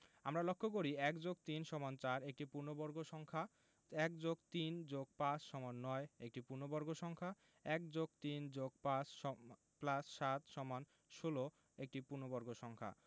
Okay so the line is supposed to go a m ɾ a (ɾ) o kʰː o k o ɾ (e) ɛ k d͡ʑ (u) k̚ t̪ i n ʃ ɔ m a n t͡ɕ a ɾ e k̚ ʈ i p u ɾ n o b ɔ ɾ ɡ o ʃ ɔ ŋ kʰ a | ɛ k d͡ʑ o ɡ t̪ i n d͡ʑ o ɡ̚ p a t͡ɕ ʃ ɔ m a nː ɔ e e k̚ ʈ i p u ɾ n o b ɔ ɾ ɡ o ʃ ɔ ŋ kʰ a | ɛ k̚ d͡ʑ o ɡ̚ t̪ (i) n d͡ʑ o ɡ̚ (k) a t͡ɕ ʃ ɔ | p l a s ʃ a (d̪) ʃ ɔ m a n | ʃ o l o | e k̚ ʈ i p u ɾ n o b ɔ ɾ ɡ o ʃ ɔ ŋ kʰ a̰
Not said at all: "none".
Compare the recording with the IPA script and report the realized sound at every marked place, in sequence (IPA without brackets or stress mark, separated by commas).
l, i, o, i, p, t̪